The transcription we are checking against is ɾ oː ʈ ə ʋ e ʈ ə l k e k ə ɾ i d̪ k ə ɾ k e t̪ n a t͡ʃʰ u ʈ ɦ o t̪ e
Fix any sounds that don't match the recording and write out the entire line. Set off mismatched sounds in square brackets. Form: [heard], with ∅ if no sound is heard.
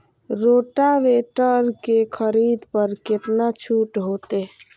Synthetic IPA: ɾ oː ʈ [a] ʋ e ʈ ə [ɾ] k e [kʰ] ə ɾ i d̪ [p] ə ɾ k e t̪ n a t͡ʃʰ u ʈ ɦ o t̪ e